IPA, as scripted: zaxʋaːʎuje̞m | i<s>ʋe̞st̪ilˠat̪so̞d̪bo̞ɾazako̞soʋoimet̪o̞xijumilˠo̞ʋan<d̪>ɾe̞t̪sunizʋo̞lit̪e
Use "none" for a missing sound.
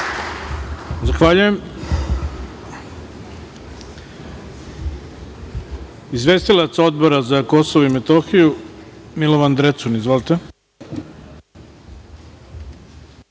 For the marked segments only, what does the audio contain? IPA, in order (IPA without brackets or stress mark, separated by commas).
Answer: z, d̪